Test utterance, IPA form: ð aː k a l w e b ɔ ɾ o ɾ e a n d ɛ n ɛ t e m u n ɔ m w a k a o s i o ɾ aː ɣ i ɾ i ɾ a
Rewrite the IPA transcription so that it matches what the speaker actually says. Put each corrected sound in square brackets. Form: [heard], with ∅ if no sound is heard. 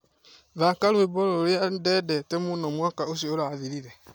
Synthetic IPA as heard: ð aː k a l w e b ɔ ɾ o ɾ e a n d ɛ [d] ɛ t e m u n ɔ m w a k a o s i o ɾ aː [ð] i ɾ i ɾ [ɛ]